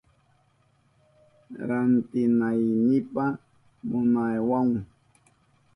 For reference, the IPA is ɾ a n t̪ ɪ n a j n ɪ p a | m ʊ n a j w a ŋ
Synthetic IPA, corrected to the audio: ɾ a n t̪ ɪ n a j n ɪ p a | m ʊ n a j w a ŋ